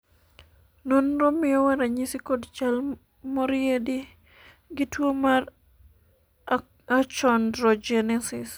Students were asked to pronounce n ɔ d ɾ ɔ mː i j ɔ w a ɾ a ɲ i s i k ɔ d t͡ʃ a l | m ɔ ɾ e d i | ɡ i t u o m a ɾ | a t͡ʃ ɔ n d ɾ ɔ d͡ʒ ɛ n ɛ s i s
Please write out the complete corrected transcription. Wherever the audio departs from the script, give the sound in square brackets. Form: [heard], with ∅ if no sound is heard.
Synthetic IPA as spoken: n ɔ [n] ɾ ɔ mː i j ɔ w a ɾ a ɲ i s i k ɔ d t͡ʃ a l | m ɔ ɾ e d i | ɡ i t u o m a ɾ | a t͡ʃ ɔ n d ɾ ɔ d͡ʒ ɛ n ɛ s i s